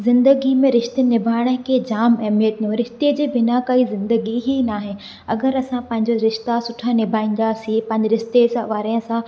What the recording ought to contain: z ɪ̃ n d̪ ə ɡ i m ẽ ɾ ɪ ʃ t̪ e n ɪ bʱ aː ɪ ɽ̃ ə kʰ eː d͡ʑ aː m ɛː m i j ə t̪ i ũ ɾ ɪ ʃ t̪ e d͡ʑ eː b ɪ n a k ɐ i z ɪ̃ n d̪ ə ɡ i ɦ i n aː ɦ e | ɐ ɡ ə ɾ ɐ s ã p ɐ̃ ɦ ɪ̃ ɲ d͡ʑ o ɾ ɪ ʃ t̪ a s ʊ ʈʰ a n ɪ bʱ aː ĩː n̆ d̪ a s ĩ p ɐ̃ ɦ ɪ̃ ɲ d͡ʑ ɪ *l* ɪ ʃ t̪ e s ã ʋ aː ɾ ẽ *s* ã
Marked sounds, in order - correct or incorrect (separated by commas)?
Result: incorrect, correct